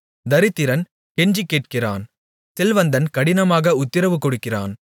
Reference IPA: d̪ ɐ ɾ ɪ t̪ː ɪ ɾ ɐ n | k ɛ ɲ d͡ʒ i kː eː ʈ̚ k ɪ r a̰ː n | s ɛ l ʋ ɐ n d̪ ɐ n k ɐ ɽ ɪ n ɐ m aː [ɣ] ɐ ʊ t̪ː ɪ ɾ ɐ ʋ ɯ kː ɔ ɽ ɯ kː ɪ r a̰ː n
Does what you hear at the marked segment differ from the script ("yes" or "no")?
no